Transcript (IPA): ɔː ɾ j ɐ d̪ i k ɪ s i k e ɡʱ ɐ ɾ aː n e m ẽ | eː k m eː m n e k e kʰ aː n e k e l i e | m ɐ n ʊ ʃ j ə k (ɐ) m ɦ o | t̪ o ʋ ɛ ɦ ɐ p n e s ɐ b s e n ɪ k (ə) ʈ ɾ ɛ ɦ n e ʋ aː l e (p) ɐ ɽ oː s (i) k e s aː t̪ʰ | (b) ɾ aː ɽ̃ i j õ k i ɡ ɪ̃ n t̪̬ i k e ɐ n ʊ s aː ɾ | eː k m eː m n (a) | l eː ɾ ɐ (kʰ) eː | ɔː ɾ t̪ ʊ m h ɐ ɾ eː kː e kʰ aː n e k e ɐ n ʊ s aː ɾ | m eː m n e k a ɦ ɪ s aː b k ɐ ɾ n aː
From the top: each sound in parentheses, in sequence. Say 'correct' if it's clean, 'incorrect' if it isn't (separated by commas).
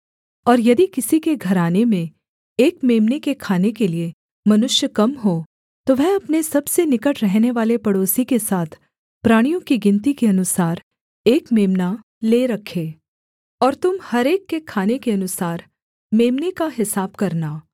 correct, correct, correct, correct, incorrect, correct, correct